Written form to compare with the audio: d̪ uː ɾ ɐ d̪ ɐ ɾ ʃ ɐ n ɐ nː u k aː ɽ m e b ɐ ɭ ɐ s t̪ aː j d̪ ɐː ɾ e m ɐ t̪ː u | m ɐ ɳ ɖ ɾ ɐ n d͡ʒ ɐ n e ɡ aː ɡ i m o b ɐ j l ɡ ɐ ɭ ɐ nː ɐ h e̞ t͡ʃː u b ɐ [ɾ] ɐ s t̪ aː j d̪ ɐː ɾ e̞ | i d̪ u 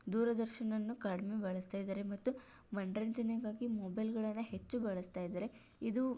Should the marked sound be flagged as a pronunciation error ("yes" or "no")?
yes